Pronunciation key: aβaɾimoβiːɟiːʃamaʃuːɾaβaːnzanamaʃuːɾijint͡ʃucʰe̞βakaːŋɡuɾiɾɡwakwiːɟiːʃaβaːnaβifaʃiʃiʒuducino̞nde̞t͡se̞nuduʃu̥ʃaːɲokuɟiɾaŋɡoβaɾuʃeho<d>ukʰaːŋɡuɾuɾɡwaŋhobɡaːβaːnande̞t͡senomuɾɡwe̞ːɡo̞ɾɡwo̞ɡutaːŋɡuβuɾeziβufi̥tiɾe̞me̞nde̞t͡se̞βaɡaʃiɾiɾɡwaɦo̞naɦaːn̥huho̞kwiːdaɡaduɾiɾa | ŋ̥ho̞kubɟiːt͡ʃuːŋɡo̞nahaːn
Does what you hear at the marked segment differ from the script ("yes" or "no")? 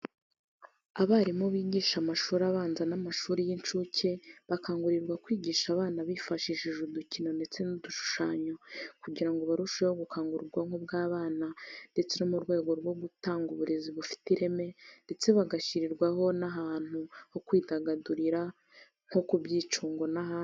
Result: yes